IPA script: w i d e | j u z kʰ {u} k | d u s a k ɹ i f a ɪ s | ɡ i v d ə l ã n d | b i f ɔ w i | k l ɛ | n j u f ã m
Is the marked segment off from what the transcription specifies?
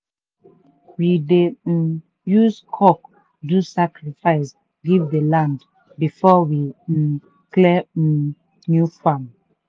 yes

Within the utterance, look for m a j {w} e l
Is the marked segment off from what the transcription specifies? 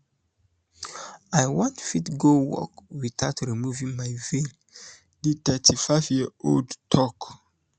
yes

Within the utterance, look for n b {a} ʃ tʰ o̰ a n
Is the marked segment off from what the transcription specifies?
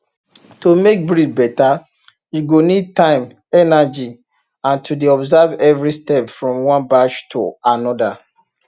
no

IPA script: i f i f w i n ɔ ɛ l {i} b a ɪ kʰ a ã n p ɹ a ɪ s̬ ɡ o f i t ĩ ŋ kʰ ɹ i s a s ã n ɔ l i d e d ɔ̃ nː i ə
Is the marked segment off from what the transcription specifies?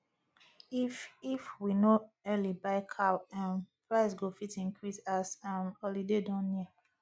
no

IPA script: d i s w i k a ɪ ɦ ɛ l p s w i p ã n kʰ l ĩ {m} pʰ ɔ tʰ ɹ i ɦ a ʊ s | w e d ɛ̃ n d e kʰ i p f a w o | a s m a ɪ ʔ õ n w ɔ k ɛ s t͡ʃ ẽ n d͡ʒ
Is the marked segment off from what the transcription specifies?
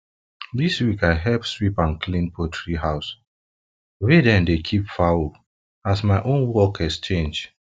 yes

